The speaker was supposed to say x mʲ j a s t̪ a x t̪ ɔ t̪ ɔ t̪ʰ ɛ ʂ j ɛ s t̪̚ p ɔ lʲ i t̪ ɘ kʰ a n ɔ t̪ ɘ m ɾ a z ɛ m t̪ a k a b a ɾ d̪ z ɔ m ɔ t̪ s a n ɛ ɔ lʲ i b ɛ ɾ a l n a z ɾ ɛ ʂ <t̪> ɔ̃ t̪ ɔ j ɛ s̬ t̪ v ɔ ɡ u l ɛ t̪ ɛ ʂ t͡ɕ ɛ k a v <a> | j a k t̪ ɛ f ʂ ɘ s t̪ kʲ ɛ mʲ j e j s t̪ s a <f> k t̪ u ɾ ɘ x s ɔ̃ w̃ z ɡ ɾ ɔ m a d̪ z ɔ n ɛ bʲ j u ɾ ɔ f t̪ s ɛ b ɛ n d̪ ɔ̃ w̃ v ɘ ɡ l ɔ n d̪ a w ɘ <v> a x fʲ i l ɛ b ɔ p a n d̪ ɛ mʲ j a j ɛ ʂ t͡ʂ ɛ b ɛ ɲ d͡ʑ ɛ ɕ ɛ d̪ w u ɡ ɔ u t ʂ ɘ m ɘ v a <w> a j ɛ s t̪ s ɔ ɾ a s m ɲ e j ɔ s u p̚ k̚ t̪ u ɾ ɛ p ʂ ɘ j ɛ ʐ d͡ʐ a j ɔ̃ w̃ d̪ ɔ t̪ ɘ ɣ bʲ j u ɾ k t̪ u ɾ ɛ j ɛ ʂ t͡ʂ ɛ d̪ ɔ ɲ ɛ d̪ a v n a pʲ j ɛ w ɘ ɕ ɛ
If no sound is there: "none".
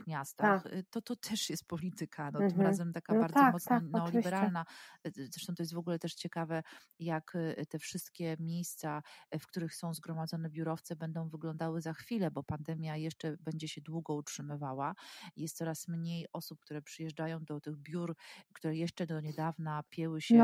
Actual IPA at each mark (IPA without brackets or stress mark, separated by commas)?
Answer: t̪, ɛ, f, z, w